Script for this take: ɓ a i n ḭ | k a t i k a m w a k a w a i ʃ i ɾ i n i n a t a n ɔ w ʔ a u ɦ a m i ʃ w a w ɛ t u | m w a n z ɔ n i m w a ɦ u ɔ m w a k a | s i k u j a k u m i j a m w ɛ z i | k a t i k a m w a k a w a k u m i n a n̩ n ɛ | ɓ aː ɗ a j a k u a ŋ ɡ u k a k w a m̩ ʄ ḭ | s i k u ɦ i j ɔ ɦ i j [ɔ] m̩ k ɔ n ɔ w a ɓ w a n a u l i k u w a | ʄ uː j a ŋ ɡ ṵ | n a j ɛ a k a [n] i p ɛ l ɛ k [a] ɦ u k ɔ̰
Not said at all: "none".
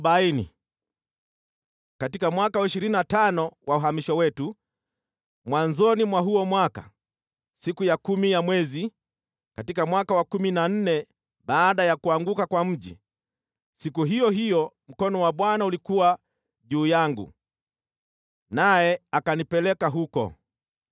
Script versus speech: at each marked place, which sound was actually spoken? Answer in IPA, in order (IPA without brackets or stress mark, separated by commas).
ɔ, n, a